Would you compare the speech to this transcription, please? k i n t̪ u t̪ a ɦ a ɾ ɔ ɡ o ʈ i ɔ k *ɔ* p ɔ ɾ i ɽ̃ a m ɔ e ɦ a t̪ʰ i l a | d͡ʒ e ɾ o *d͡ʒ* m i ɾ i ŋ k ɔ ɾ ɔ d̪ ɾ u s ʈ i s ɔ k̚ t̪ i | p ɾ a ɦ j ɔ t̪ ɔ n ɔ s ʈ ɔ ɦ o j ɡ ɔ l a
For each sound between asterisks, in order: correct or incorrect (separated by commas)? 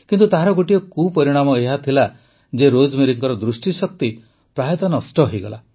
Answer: incorrect, correct